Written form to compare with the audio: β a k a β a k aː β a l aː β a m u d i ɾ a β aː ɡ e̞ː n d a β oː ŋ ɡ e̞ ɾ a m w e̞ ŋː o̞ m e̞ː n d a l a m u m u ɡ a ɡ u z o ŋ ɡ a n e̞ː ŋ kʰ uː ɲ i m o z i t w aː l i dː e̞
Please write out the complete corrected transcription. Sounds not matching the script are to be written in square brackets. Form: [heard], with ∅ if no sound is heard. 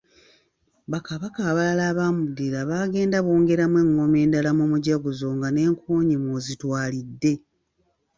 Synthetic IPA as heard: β a k a β a k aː β a l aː β a m u d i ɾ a β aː ɡ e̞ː n d a β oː ŋ ɡ e̞ ɾ a m w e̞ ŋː o̞ m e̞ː n d a l a m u m u [ɟ] a ɡ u z o ŋ ɡ a n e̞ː ŋ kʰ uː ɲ i m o z i t w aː l i dː e̞

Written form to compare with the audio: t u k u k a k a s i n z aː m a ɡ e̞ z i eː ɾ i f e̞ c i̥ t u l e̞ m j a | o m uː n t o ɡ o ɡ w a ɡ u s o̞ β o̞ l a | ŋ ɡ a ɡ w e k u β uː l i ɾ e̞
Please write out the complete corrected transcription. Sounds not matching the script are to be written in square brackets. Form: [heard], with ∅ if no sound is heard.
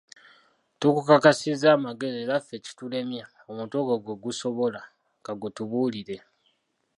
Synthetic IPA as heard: t u k u k a k a s i [∅] z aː m a ɡ e̞ z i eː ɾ [a] f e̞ c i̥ t u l e̞ m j a | o m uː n t o ɡ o ɡ w [e] ɡ u s o̞ β o̞ l a | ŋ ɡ a ɡ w e [t] u β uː l i ɾ e̞

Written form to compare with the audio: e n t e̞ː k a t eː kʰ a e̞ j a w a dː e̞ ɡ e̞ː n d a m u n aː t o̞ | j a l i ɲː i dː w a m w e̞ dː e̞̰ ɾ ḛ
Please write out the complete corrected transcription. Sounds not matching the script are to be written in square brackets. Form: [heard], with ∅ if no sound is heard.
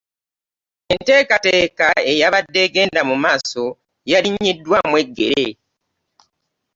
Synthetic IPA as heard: e n t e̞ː k a t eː [k] a e̞ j a [β] a dː e̞ ɡ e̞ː n d a m u [m] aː [s] o̞ | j a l i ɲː i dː w a m w e̞ [ɡː] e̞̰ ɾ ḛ

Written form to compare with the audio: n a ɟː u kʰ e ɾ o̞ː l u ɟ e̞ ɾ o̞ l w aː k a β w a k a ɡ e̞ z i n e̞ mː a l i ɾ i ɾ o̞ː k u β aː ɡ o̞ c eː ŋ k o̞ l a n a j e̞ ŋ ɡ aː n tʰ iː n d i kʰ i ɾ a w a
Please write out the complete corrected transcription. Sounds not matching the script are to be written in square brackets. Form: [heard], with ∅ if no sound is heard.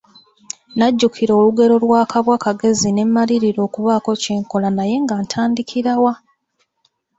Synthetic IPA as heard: n a ɟː u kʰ [i] ɾ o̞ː l u [ɡ] e̞ ɾ o̞ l w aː k a β w a k a ɡ e̞ z i n e̞ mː a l i ɾ i ɾ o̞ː k u β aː [k] o̞ c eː ŋ k o̞ l a n a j e̞ ŋ ɡ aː n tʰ [aː] n d i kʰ i ɾ a w a

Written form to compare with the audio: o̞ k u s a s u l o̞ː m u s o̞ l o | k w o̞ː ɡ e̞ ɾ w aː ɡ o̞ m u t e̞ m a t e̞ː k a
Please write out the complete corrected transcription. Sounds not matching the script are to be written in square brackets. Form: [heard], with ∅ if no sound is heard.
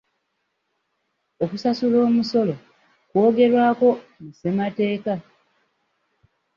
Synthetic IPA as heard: o̞ k u s a s u l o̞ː m u s o̞ l o | k w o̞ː ɡ e̞ ɾ w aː [k] o̞ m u [s] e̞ m a t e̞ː k a

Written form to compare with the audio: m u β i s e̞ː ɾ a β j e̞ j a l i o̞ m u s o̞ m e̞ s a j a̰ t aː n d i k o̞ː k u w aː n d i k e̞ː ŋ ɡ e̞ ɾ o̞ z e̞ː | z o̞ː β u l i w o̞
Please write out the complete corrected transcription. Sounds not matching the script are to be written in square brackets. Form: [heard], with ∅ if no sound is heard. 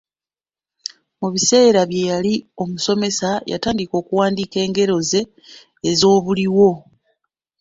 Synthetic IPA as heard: m u β i s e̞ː ɾ a β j e̞ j a l i o̞ m u s o̞ m e̞ s a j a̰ t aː n d i k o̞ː k u w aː n d i k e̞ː ŋ ɡ e̞ ɾ o̞ z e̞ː | z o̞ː β u l i w o̞

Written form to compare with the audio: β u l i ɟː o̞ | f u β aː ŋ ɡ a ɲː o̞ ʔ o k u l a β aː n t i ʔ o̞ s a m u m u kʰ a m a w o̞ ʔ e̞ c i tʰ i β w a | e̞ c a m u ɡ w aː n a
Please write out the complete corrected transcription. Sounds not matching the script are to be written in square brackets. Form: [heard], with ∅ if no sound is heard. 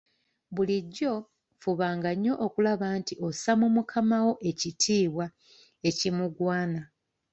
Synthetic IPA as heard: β u l i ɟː o̞ | f u β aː ŋ ɡ a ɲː o̞ ʔ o k u l a β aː n t i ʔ o̞ s a m u m u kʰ a m a w o̞ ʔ e̞ c i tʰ [iː] β w a | e̞ c [i] m u ɡ w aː n a

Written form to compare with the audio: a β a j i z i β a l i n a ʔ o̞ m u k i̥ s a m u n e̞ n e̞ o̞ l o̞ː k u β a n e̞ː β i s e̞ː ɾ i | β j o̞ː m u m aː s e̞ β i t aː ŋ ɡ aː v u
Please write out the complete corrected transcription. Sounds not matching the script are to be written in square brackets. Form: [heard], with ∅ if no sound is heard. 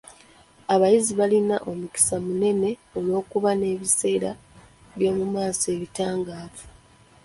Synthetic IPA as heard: a β a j i z i β a l i n a ʔ o̞ m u k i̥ s a m u n e̞ n e̞ o̞ l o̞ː k u β a n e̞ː β i s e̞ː ɾ [a] | β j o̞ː m u m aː s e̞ β i t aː ŋ ɡ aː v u

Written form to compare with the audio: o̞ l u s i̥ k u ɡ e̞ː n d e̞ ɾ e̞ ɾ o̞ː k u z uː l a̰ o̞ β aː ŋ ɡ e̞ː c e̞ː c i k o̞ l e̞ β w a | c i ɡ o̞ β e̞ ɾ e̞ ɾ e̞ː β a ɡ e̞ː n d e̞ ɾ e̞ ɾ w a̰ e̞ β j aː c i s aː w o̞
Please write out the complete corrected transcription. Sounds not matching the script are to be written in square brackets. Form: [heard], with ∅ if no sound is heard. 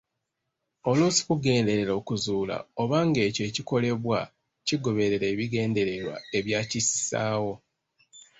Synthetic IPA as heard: o̞ l u s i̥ k u ɡ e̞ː n d e̞ ɾ e̞ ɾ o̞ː k u z uː l a̰ o̞ β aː ŋ ɡ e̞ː c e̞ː c i k o̞ l e̞ β w a | c i ɡ o̞ β e̞ ɾ e̞ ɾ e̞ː β [i] ɡ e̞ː n d e̞ ɾ e̞ ɾ w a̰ e̞ β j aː c i s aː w o̞

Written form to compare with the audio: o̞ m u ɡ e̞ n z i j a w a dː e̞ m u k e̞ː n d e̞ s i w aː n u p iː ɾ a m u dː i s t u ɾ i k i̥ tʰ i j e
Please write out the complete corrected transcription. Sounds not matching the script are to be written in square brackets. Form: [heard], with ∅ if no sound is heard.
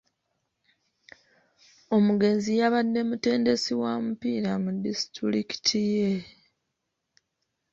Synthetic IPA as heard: o̞ m u ɡ e̞ n z i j a [β] a dː e̞ m u [t] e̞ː n d e̞ s i w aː [m] u p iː ɾ a m u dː i s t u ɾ i k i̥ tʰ i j e

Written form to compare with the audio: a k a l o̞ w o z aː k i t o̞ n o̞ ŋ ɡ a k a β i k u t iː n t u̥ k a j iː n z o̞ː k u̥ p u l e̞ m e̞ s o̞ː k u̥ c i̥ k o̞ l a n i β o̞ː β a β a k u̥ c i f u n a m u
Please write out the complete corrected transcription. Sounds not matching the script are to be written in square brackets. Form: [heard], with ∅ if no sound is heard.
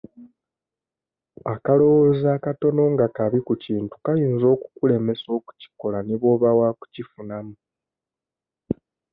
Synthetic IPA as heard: a k a l o̞ w o z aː k [a] t o̞ n o̞ ŋ ɡ a k a β i k u [c] iː n t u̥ k a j iː n z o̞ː k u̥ [k] u l e̞ m e̞ s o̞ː k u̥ c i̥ k o̞ l a n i β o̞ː β a [w] a k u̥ c i f u n a m u

